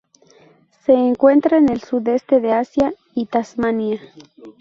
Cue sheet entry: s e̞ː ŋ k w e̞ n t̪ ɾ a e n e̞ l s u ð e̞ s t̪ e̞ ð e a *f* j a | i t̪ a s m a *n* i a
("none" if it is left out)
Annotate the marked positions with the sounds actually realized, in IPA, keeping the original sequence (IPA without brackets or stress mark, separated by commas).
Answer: s, n